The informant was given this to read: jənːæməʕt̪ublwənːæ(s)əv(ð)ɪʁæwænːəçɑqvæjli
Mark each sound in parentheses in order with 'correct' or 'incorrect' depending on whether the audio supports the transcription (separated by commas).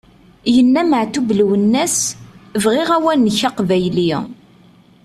correct, incorrect